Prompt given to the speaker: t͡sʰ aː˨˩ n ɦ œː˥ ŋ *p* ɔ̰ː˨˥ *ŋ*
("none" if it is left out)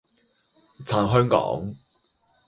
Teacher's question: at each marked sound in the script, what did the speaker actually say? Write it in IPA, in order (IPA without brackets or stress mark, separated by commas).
k, ŋ